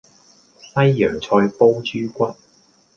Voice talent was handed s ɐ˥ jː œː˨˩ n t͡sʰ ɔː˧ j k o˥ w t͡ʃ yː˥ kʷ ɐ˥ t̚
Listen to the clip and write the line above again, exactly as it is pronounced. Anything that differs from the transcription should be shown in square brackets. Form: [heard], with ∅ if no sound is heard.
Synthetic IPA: s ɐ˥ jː œː˨˩ [ŋ] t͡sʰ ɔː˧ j [p] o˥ w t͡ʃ yː˥ kʷ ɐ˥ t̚